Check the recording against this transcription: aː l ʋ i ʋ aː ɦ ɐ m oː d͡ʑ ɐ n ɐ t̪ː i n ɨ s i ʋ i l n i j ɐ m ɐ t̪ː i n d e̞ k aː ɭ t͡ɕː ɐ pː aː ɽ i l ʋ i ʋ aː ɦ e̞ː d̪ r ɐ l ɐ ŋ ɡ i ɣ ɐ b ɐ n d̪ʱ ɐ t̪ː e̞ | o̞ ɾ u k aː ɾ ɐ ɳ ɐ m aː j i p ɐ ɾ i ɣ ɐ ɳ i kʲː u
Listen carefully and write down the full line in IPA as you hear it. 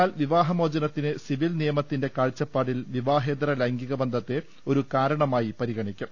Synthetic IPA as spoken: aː l ʋ i ʋ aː ɦ ɐ m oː d͡ʑ ɐ n ɐ t̪ː i n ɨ s i ʋ i l n i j ɐ m ɐ t̪ː i n d e̞ k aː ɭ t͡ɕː ɐ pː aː ɽ i l ʋ i ʋ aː ɦ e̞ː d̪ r ɐ l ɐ ŋ ɡ i ɣ ɐ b ɐ n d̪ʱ ɐ t̪ː e̞ | o̞ ɾ u k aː ɾ ɐ ɳ ɐ m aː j i p ɐ ɾ i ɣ ɐ ɳ i kʲː u